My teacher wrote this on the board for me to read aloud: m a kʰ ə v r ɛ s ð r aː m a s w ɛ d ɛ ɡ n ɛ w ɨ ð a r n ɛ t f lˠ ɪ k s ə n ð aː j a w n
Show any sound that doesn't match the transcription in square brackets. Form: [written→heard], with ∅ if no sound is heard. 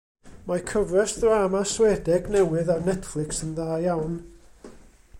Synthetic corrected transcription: m a kʰ ə v r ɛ s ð r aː m a s w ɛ d ɛ ɡ n ɛ w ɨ ð a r n ɛ t f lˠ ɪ k s ə n ð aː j a w n